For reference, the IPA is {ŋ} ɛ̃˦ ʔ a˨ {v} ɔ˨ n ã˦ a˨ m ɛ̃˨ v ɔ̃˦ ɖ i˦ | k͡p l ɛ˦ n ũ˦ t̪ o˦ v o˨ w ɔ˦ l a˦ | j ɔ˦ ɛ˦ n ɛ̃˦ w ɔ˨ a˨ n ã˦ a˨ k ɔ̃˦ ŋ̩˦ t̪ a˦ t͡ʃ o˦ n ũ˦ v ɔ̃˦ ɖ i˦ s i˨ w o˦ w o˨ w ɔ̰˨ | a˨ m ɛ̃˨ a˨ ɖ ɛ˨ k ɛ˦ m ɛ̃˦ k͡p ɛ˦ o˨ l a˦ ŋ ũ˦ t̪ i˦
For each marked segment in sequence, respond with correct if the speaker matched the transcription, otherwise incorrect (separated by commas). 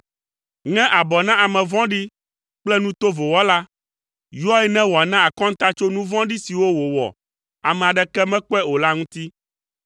correct, incorrect